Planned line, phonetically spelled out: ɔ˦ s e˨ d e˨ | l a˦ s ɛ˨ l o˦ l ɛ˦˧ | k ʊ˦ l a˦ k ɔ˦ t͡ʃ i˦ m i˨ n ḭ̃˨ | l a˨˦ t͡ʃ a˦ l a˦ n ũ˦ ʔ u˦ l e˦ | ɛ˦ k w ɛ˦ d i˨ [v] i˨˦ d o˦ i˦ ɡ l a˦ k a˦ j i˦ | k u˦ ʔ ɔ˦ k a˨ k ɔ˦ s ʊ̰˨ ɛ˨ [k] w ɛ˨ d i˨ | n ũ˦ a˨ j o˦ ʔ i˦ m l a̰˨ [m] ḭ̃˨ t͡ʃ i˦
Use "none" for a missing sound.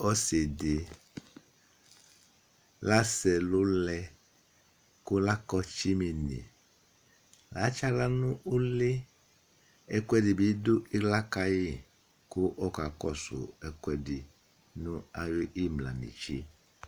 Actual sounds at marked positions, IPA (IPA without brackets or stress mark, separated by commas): b, k, n